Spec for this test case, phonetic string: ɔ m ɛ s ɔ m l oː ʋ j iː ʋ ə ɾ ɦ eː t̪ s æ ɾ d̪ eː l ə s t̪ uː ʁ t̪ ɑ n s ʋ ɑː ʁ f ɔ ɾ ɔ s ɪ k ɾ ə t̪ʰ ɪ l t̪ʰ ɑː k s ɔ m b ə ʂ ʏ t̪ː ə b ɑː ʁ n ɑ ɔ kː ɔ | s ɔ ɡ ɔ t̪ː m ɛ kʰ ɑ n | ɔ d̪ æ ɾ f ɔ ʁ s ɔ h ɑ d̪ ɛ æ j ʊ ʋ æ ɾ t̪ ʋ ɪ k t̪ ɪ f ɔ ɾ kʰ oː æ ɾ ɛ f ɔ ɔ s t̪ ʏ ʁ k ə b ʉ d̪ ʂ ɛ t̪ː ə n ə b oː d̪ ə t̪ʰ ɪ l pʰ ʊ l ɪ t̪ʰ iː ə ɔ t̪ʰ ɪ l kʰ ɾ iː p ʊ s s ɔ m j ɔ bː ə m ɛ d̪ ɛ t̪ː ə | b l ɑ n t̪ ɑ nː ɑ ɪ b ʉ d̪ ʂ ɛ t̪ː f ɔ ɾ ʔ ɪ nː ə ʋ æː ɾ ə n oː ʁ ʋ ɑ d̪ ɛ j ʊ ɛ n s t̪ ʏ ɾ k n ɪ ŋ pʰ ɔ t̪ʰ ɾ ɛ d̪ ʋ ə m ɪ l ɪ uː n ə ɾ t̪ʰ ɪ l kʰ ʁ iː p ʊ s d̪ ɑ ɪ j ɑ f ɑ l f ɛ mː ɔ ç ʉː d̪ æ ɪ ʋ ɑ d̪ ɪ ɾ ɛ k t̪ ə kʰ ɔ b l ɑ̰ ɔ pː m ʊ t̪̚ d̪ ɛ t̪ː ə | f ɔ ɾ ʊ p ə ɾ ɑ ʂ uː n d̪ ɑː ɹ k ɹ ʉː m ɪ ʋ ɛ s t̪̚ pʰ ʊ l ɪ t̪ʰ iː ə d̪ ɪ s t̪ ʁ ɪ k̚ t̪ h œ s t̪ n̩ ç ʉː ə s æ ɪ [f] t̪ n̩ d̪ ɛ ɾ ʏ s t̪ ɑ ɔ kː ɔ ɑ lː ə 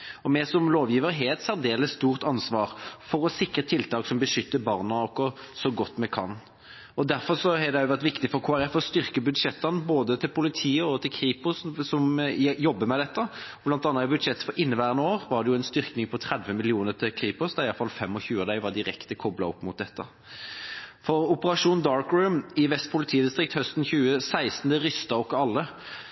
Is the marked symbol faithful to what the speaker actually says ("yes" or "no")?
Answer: no